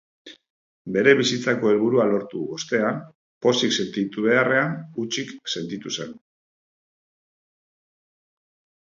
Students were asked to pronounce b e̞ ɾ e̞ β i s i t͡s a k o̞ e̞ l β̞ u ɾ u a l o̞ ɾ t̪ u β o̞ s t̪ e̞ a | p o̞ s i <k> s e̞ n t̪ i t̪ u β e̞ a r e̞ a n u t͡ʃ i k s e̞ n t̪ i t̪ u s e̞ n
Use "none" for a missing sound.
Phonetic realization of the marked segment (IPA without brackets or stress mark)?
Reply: k